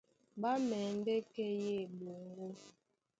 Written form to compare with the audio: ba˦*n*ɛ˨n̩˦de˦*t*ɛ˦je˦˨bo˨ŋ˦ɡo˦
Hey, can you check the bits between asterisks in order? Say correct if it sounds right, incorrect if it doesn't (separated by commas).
incorrect, incorrect